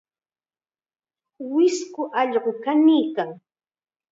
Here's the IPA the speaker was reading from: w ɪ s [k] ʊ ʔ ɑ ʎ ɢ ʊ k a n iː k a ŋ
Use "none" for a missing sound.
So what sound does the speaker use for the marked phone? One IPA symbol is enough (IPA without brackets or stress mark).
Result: k